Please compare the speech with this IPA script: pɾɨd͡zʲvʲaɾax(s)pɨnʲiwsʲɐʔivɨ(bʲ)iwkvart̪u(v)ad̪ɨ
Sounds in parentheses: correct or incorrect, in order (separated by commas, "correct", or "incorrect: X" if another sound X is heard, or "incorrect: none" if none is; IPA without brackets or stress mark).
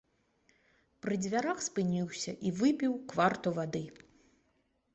correct, incorrect: pʲ, correct